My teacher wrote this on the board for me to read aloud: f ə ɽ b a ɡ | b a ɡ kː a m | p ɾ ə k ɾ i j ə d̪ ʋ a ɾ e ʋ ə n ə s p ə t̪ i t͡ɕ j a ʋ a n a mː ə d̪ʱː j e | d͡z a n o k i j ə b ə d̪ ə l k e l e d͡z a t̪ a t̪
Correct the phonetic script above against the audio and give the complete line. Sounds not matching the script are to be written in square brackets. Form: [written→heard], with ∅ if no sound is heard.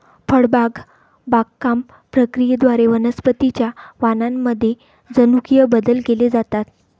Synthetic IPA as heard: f ə ɽ b a ɡ | b a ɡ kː a m | p ɾ ə k ɾ i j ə d̪ ʋ a ɾ e ʋ ə n ə s p ə t̪ i t͡ɕ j a ʋ a n a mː ə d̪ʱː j e | d͡z [a→ə] n [o→u] k i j ə b ə d̪ ə l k e l e d͡z a t̪ a t̪